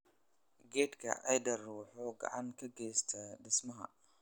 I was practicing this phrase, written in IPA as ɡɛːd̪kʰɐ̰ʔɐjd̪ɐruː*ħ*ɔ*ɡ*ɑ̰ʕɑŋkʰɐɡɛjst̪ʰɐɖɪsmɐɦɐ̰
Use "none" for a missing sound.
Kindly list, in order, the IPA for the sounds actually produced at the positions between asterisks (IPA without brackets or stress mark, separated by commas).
ħ, ɡ